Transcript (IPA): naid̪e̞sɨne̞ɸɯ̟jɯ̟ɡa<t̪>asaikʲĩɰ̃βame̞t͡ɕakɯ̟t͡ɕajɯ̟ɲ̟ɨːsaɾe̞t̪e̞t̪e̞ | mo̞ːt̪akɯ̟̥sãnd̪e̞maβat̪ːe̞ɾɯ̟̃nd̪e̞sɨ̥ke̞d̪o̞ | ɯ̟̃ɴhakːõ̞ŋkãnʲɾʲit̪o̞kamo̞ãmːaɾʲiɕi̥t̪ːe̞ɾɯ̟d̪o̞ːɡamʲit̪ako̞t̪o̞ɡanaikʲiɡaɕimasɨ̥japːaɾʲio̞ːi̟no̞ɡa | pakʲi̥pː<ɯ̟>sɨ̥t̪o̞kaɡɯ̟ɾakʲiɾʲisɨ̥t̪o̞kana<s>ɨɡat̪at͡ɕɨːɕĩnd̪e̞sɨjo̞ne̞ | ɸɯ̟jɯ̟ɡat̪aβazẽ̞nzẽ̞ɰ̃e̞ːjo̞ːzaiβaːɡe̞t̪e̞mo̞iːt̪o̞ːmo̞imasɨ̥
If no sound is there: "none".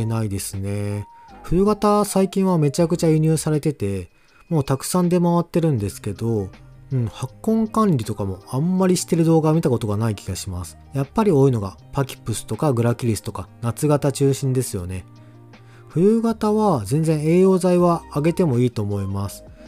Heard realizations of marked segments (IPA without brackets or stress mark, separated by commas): t̪, ɯ̟, t͡s